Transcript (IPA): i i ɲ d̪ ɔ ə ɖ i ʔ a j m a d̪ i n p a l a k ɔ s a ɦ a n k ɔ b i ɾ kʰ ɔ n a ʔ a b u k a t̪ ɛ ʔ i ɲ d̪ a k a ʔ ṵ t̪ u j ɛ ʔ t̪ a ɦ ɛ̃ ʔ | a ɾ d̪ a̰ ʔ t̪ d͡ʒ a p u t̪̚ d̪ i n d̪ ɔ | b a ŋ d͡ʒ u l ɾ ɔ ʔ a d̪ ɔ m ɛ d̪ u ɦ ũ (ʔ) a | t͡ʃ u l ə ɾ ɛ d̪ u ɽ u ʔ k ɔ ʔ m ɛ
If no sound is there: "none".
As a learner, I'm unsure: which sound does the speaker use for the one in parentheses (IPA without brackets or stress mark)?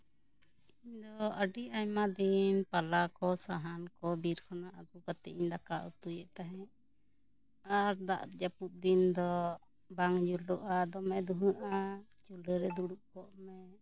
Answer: ʔ